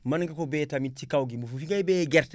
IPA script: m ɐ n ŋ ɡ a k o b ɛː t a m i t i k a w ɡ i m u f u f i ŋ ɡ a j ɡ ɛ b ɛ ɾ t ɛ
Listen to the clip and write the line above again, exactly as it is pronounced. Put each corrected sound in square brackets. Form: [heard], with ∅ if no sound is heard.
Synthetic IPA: m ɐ n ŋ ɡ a k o b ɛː t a m i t i k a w ɡ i m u f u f i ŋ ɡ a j [b] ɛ [ɡ] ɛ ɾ t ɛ